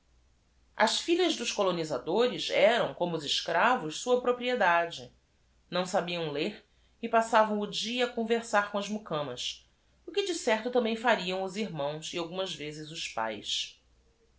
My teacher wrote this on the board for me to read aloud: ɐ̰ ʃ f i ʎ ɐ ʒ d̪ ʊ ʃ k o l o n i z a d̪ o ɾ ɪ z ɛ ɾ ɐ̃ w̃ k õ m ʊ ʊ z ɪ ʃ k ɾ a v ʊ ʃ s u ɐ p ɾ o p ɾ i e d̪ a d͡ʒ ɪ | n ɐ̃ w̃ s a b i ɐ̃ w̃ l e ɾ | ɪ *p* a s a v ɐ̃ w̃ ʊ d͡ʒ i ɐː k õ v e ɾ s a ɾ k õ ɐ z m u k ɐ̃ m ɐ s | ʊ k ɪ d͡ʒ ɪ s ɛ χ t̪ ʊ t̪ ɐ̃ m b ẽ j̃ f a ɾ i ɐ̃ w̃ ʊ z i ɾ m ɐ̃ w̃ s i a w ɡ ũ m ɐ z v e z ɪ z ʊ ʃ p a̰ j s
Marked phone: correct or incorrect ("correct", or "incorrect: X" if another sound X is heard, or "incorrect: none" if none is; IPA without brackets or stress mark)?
correct